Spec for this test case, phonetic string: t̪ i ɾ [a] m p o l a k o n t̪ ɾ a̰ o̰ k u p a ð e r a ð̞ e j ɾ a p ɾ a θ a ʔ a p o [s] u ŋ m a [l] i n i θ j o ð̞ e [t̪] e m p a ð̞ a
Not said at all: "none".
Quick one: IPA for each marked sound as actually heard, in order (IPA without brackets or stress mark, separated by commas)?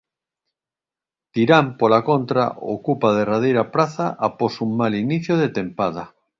a, s, l, t̪